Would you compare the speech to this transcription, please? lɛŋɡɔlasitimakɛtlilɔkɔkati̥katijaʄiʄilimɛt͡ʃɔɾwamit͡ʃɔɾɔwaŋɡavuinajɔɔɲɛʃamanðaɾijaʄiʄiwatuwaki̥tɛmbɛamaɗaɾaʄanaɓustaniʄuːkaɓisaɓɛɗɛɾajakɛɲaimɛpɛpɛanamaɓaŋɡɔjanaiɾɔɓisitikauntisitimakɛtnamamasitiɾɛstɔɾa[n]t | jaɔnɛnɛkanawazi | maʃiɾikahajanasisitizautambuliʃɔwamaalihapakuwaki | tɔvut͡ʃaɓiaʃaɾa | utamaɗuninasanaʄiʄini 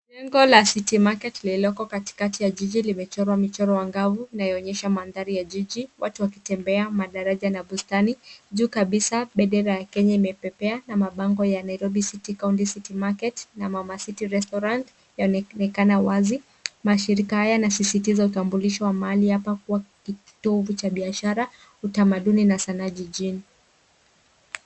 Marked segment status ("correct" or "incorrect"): correct